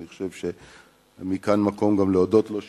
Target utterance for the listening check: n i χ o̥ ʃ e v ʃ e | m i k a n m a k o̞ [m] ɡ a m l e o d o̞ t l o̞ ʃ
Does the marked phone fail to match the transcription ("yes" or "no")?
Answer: no